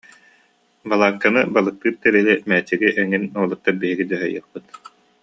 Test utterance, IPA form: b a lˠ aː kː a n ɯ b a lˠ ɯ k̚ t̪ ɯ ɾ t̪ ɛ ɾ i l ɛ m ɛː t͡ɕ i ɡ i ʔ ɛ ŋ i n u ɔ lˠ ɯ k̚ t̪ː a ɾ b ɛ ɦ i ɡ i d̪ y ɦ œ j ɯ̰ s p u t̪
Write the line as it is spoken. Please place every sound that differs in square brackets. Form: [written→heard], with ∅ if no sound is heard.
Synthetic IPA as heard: b a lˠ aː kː a n ɯ b a lˠ ɯ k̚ t̪ [ɯ→ɯː] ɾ t̪ ɛ ɾ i l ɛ m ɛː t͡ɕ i ɡ i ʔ ɛ ŋ i n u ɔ lˠ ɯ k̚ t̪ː a ɾ b [ɛ→i] ɦ i ɡ i d̪ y ɦ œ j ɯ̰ [s→χ] p [u→ɯ] t̪